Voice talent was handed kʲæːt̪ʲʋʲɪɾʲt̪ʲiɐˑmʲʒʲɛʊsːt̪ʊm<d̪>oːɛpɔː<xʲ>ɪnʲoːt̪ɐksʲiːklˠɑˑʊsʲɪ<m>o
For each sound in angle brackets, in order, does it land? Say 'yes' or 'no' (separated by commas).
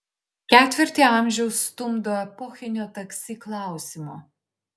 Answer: yes, yes, yes